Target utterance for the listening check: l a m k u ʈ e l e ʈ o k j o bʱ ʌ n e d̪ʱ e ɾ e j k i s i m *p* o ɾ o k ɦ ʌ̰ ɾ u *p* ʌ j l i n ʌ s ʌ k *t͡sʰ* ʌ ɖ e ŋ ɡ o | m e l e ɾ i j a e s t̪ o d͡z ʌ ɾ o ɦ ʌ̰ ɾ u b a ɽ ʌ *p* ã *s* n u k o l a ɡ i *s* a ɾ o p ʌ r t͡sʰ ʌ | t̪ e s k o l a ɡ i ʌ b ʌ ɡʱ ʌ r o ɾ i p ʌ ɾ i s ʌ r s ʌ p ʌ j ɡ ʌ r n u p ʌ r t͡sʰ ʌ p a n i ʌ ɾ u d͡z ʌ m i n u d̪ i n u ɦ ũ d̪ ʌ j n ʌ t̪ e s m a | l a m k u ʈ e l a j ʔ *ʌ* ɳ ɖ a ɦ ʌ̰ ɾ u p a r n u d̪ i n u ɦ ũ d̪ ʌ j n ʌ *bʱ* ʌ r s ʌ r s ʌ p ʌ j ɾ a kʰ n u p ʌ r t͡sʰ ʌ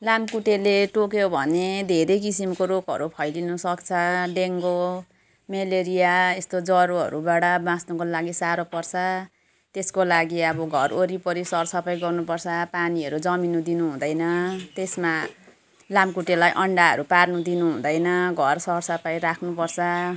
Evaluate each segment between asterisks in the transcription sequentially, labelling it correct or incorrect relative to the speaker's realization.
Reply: incorrect: k, incorrect: pʰ, correct, incorrect: b, correct, correct, correct, incorrect: ɡʱ

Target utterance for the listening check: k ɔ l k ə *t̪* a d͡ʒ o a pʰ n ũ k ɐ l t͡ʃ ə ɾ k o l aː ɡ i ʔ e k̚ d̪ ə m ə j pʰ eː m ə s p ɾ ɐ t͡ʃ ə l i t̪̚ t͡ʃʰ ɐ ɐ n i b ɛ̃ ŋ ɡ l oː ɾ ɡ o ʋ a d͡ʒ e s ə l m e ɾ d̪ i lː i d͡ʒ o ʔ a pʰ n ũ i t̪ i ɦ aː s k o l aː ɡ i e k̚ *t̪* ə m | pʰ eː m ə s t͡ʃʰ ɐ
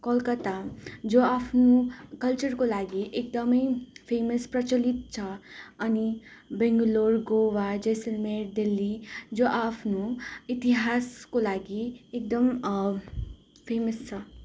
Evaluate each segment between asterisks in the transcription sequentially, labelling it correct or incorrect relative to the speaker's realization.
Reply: correct, incorrect: d̪

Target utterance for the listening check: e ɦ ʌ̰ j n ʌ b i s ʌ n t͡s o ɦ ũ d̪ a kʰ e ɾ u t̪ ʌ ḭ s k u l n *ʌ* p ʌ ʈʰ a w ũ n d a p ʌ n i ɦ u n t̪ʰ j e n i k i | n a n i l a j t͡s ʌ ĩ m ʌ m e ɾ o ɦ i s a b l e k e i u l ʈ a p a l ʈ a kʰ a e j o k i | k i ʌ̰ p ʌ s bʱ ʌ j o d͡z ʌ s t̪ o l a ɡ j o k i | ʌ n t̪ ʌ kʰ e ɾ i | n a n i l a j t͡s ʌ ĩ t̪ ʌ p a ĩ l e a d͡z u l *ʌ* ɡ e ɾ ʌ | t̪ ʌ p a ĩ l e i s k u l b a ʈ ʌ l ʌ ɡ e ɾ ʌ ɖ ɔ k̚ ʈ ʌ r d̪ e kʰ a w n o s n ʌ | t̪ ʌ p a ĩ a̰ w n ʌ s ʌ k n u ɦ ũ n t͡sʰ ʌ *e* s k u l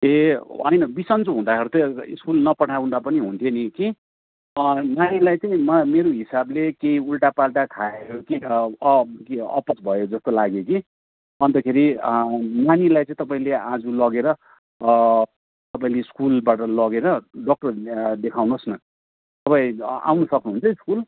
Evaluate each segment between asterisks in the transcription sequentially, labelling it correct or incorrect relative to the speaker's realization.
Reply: correct, correct, incorrect: i

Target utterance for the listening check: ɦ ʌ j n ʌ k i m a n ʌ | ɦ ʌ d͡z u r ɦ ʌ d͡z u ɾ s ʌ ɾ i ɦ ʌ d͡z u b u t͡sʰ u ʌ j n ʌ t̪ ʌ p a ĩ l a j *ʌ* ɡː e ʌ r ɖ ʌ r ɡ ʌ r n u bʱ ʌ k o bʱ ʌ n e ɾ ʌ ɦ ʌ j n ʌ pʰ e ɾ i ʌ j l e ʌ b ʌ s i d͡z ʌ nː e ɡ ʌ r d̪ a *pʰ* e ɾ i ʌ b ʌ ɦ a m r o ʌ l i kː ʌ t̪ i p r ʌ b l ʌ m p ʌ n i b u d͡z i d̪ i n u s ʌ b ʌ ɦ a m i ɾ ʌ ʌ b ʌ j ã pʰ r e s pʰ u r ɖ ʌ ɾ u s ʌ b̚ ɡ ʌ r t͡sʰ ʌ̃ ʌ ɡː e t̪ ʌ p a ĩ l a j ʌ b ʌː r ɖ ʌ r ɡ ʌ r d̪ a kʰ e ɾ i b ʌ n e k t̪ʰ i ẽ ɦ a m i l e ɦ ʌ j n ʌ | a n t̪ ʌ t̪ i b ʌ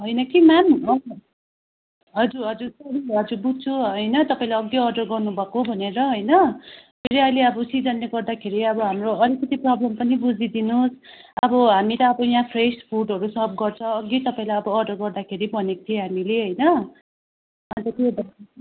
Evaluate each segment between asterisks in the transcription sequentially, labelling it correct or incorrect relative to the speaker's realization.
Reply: correct, incorrect: kʰ

